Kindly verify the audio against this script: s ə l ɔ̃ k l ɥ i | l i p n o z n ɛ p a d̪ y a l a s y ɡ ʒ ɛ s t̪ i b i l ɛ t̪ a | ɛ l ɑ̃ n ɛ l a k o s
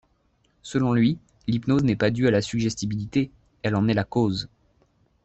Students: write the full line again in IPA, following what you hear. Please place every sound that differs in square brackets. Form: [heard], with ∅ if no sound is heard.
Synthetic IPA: s ə l ɔ̃ [∅] l ɥ i | l i p n o z n ɛ p a d̪ y a l a s y ɡ ʒ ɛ s t̪ i b i l [i] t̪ [e] | ɛ l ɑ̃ n ɛ l a k o [z]